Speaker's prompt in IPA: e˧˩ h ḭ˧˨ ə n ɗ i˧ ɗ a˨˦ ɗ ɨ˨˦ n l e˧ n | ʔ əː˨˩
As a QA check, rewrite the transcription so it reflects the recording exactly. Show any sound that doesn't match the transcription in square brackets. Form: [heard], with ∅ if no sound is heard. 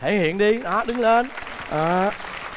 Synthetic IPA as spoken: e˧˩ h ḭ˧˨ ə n ɗ i˧ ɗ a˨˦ ɗ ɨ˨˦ [ŋ] l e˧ n | ʔ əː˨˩